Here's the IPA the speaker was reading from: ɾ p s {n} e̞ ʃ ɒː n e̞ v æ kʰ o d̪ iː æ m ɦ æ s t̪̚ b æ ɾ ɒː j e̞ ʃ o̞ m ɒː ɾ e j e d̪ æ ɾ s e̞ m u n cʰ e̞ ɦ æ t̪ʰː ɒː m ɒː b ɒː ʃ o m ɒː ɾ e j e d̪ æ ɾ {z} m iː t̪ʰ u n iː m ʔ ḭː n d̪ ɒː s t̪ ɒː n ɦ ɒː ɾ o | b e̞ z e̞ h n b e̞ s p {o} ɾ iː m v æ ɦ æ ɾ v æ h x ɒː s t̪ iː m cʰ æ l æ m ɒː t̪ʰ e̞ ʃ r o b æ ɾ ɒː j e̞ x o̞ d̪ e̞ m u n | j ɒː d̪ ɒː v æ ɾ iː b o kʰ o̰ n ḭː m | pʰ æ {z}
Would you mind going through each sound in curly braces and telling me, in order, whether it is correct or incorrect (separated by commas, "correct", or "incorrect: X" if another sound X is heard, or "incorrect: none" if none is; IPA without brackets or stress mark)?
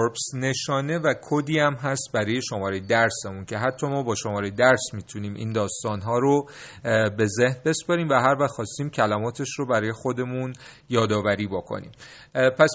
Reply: correct, incorrect: s, incorrect: ɒ, incorrect: s